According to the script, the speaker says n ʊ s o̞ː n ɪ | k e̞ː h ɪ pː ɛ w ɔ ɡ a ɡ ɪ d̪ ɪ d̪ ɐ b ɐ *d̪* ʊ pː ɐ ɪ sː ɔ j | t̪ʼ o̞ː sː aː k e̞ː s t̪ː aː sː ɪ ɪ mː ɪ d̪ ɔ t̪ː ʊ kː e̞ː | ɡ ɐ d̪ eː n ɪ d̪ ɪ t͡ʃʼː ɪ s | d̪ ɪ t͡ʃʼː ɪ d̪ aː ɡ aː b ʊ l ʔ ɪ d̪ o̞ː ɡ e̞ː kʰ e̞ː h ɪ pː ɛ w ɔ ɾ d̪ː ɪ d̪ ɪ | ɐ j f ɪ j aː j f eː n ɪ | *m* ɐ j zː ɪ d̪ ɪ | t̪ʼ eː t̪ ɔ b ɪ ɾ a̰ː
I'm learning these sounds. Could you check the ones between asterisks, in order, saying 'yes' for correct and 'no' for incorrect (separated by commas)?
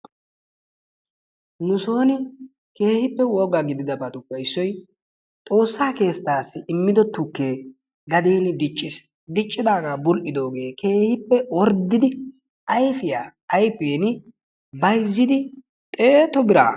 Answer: no, no